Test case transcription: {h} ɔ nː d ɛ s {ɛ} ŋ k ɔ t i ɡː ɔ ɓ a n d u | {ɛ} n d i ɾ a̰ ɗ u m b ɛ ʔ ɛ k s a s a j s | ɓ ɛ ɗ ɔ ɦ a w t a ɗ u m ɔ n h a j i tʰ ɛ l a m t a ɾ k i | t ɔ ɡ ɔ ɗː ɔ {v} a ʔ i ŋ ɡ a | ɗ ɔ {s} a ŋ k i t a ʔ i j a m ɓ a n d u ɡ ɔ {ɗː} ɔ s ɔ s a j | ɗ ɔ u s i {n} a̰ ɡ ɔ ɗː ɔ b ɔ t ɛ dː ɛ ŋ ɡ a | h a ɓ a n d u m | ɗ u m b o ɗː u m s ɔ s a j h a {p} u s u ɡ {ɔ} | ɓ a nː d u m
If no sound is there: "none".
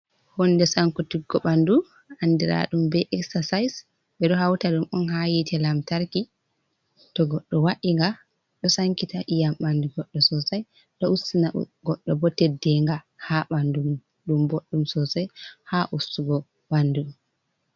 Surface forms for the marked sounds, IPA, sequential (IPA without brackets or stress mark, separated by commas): h, a, a, w, s, ɗː, n, ʔ, ɔ